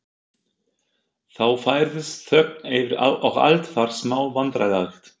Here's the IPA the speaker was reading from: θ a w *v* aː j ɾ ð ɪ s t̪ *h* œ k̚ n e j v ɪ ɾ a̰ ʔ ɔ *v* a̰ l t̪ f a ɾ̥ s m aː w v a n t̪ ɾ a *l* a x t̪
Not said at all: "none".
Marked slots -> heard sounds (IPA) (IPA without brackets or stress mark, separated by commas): f, θ, ɣ, l